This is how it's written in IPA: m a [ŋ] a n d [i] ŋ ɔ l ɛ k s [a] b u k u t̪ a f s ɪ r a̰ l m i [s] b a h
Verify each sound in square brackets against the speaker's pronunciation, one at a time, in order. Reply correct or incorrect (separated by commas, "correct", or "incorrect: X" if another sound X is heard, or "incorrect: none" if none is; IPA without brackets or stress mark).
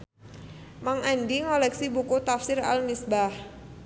correct, correct, incorrect: i, correct